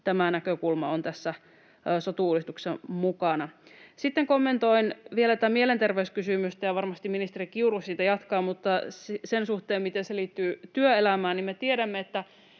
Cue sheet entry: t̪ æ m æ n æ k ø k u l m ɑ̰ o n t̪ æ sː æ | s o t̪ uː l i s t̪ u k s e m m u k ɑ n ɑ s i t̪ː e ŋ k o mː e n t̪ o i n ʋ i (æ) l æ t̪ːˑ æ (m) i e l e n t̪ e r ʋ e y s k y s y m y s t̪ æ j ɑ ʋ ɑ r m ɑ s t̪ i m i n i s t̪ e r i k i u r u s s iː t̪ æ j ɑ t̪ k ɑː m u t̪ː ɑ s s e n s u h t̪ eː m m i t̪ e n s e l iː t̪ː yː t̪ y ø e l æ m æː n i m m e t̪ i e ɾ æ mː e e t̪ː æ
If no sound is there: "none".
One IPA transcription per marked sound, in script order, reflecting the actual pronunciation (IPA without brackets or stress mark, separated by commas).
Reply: e, m